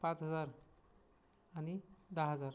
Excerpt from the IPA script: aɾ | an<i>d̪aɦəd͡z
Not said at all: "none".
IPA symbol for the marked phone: i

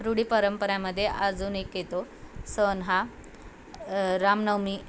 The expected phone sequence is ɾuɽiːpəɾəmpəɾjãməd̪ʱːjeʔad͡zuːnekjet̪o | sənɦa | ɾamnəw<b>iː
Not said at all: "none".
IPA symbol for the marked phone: m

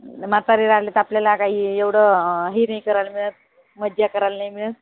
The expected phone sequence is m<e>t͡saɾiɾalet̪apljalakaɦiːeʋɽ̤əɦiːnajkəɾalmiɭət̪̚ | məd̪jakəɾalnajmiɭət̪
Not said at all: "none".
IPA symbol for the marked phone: a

